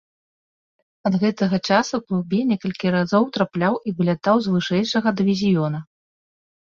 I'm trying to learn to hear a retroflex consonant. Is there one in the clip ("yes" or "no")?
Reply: yes